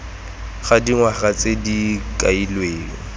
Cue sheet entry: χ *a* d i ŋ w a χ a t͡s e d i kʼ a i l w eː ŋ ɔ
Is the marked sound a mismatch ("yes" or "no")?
no